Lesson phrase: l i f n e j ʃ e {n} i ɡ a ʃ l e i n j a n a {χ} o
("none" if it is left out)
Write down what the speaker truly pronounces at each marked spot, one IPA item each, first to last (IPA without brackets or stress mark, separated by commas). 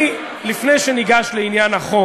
n, χ